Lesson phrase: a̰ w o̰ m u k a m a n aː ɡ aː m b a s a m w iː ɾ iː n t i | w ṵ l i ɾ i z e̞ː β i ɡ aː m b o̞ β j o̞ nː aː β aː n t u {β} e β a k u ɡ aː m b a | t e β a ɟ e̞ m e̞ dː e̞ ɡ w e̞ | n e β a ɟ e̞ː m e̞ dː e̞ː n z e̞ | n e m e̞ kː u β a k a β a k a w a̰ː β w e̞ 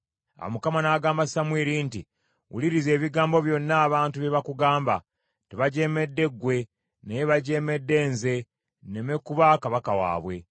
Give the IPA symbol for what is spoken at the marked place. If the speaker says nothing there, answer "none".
β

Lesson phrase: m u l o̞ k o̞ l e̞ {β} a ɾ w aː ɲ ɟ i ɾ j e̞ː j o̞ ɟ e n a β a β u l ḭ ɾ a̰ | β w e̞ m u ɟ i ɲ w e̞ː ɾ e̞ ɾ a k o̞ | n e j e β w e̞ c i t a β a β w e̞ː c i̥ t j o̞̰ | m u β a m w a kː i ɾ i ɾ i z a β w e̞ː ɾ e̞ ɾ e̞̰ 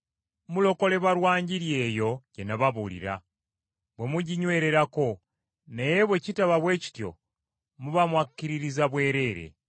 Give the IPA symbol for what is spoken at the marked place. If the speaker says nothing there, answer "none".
β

